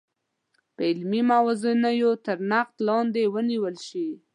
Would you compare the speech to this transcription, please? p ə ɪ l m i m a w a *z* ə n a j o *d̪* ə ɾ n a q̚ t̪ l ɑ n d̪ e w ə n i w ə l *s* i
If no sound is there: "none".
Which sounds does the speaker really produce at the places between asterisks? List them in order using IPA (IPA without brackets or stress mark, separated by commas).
z, t̪, ʃ